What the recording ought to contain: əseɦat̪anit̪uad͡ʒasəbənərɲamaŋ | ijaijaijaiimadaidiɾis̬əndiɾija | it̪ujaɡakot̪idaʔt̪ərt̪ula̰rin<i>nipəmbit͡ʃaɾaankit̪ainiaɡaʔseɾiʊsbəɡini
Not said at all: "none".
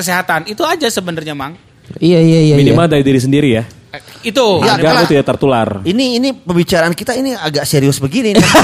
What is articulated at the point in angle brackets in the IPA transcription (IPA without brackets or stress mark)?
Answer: iː